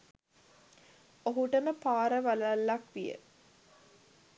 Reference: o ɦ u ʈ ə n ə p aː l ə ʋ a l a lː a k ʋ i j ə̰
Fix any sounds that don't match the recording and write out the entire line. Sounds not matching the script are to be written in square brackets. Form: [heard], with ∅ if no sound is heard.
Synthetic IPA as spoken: o ɦ u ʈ ə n ə p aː [ɾ] ə ʋ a l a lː a k ʋ i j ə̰